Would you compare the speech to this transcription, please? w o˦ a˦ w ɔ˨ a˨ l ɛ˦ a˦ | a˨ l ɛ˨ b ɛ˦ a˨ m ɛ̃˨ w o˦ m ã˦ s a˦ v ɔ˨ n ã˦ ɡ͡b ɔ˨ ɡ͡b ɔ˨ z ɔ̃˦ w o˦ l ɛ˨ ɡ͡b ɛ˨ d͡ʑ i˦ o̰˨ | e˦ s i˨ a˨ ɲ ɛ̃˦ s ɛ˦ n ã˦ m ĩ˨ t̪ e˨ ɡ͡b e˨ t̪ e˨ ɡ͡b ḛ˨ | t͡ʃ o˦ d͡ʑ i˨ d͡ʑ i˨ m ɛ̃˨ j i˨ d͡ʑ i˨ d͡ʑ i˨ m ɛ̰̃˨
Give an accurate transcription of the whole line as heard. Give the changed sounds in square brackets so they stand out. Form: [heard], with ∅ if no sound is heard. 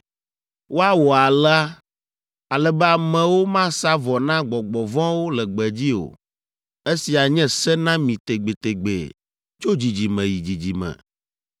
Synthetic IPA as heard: w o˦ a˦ w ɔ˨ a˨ l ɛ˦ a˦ | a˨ l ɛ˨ b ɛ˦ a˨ m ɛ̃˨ w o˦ m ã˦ s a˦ v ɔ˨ n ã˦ ɡ͡b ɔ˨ ɡ͡b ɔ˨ [v] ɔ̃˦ w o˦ l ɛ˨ ɡ͡b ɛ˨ d͡ʑ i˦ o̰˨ | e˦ s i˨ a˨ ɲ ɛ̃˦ s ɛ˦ n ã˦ m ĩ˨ t̪ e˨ ɡ͡b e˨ t̪ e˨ ɡ͡b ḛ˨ | t͡ʃ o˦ d͡ʑ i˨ d͡ʑ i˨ m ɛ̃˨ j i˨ d͡ʑ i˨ d͡ʑ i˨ m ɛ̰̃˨